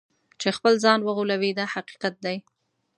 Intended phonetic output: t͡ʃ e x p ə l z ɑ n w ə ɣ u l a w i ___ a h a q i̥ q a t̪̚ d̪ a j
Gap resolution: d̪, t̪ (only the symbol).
d̪